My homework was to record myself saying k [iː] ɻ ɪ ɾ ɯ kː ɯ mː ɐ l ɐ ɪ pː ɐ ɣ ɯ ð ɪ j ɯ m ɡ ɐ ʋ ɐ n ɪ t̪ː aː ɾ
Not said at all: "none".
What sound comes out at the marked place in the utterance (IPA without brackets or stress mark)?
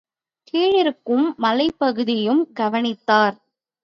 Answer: iː